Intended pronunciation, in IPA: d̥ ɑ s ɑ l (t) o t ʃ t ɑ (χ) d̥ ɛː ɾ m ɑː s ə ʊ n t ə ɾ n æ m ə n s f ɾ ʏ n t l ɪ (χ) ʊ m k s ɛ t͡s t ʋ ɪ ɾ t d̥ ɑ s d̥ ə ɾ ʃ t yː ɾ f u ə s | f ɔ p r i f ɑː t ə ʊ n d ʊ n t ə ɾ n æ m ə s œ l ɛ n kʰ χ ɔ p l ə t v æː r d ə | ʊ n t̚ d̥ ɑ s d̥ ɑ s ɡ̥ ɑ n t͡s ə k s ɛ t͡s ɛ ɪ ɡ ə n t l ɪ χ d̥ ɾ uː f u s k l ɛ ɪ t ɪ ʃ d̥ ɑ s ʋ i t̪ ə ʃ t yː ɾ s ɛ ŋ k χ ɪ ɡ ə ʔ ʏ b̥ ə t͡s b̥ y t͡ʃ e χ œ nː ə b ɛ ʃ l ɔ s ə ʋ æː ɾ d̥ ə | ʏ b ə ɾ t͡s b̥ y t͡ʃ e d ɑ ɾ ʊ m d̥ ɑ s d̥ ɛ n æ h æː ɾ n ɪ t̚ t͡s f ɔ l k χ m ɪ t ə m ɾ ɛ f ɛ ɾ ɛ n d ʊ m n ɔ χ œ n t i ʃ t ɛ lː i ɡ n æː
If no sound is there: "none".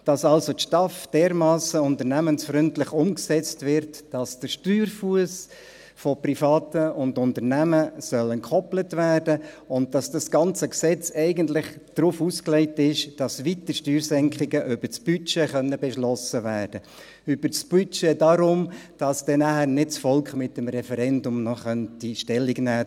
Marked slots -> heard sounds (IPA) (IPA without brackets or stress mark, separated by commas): s, f, χ